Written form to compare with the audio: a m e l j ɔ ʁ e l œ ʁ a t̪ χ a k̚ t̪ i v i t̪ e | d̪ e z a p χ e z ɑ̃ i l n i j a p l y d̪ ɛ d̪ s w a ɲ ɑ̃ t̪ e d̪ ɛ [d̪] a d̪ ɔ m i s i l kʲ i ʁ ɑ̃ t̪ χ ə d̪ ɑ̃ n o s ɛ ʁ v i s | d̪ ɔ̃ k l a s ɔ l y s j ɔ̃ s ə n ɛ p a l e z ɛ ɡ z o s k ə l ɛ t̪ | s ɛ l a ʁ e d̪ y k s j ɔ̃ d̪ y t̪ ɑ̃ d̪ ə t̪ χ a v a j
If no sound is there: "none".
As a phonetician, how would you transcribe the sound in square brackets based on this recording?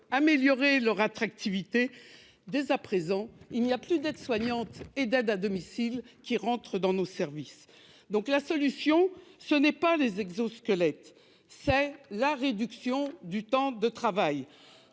d̪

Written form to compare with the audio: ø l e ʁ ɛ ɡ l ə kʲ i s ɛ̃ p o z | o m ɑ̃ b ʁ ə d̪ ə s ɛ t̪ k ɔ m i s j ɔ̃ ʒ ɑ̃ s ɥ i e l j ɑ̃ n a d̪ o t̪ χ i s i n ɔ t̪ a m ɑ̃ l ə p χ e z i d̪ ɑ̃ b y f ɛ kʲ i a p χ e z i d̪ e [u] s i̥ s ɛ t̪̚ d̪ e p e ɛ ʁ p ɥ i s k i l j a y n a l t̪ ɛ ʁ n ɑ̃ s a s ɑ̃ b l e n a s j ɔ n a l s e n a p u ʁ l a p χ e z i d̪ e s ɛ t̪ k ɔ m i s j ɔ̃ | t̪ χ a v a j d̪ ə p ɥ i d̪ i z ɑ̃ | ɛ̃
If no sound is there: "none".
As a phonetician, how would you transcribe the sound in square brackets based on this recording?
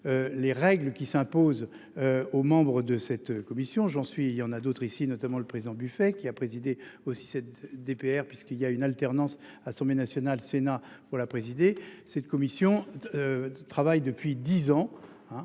o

